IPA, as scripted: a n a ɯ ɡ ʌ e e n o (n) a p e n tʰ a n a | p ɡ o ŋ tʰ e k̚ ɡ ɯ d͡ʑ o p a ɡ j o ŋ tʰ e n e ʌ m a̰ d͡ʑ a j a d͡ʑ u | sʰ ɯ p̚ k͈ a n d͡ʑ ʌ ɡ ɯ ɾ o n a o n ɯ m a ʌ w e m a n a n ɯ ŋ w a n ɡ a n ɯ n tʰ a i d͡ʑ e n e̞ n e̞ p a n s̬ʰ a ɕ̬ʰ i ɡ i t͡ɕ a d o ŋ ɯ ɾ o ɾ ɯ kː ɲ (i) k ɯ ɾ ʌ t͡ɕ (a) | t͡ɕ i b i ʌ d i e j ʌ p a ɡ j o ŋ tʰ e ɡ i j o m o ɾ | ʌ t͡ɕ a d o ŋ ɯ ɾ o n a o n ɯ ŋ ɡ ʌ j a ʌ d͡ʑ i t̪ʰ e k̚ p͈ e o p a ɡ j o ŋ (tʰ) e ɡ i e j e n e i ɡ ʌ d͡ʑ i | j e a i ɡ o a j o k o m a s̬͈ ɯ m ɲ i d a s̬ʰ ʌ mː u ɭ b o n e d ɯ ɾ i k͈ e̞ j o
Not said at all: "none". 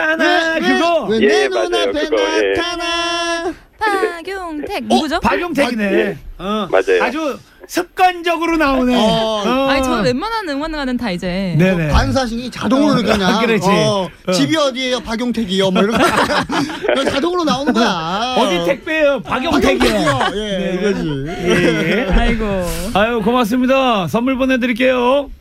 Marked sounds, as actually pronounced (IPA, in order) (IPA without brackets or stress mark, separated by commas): n, a, i, tʰ